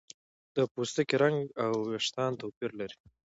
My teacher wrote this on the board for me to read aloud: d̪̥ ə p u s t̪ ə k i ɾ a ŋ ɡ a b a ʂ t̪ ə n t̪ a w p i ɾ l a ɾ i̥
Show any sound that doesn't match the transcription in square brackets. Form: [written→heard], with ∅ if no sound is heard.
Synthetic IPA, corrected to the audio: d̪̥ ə p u s t̪ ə k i ɾ a ŋ ɡ a [b→w] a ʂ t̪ [ə→ɑ] n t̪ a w p i ɾ l a ɾ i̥